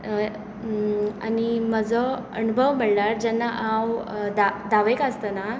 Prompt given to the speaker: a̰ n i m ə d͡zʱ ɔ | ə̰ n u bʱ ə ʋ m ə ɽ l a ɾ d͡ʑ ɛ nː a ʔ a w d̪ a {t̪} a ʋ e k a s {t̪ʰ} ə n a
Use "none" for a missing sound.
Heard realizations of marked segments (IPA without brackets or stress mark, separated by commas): d̪, t̪